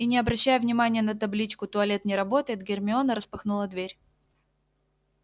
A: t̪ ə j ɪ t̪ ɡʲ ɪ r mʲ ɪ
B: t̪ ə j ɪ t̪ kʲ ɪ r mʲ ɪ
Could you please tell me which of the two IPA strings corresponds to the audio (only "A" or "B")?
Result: A